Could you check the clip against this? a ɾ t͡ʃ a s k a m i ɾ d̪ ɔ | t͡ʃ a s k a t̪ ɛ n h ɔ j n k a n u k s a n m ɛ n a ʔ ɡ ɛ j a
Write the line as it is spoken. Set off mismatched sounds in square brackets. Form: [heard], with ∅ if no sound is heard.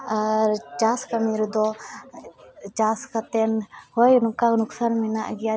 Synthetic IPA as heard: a ɾ t͡ʃ a s k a m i ɾ d̪ ɔ | t͡ʃ a s k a t̪ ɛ n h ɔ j n k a n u k s a n m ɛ n a ʔ ɡ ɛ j a